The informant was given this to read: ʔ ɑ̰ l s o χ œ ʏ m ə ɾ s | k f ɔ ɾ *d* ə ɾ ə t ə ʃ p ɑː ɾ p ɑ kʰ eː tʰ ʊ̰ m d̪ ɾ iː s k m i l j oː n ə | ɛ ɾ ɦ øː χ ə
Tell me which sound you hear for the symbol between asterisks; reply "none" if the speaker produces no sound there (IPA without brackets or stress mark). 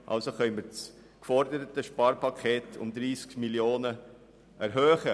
d